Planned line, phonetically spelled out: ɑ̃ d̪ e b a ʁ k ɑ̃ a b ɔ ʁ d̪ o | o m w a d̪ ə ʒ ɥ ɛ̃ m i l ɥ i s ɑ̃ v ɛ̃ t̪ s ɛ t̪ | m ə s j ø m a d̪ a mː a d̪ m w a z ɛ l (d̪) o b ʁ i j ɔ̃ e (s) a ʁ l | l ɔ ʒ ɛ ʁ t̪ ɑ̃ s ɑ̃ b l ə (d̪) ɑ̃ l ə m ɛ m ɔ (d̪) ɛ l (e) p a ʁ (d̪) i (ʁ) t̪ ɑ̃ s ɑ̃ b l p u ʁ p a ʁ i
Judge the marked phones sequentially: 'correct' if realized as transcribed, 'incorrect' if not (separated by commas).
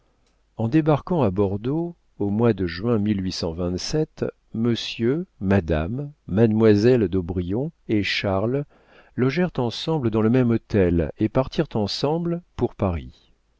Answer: correct, incorrect, correct, incorrect, correct, incorrect, correct